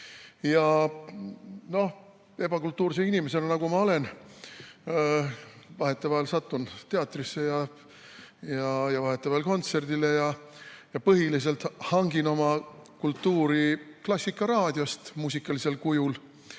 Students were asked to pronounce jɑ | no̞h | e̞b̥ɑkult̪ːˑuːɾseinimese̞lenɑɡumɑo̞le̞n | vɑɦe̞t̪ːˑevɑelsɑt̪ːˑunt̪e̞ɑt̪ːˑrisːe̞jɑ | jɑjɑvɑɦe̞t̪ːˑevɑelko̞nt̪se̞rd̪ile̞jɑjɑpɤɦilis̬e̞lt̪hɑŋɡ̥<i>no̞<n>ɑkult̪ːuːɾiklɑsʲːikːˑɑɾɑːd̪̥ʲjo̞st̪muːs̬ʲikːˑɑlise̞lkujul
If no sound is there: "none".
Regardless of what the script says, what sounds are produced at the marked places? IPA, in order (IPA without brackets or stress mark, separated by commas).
i, m